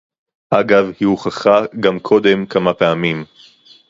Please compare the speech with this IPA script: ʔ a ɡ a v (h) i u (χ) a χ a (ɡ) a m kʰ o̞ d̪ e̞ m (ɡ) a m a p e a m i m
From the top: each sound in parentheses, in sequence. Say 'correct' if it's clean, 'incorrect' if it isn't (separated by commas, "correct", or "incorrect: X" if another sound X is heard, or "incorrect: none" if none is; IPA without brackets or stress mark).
correct, correct, correct, incorrect: k